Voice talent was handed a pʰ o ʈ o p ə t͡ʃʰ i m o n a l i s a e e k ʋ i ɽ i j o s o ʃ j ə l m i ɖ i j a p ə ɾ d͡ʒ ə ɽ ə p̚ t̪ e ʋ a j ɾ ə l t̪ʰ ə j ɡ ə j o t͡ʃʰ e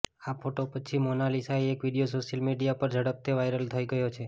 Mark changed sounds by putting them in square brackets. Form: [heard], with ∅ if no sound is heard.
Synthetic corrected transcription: a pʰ o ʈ o p ə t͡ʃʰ i m o n a l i s a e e k ʋ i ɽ i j o s o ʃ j ə l m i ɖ i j a p ə ɾ d͡ʒ ə ɽ ə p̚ t̪ e ʋ a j ɾ ə l t̪ʰ ə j ɡ ə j o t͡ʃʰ e